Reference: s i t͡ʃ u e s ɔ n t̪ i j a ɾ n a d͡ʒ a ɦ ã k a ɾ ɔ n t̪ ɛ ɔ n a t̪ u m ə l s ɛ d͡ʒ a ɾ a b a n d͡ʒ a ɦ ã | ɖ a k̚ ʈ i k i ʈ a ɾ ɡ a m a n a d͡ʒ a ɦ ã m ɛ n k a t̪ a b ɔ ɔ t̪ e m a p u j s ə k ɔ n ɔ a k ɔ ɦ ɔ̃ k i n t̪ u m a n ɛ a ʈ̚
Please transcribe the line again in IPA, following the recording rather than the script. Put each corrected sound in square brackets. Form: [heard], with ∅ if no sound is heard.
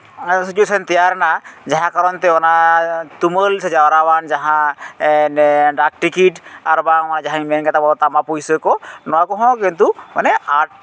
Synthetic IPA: s i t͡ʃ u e s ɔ n t̪ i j a ɾ n a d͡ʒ a ɦ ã k a ɾ ɔ n t̪ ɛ ɔ n a t̪ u m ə l s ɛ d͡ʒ a ɾ a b a n d͡ʒ a ɦ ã | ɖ a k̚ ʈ i k i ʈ a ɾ [b] a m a n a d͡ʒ a ɦ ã m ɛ n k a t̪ a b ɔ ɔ t̪ [a] m a p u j s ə k ɔ n ɔ a k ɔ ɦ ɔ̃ k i n t̪ u m a n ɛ a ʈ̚